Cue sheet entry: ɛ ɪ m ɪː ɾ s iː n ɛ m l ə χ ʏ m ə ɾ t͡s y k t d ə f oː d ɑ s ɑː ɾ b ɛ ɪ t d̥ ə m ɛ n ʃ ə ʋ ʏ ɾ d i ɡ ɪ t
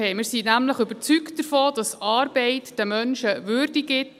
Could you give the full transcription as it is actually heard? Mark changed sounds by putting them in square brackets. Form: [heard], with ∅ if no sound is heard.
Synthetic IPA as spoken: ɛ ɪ m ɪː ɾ s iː n [æ] m l ə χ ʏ [b] ə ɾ t͡s y k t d ə f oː d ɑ s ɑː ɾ b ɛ ɪ t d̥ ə m [œ] n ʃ ə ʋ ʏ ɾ d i ɡ ɪ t